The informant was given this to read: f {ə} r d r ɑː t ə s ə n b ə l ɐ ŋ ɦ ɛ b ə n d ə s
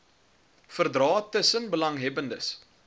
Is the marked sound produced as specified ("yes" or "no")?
yes